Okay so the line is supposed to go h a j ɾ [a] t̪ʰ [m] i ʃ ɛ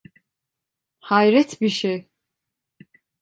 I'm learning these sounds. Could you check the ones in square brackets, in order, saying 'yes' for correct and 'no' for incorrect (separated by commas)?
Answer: no, no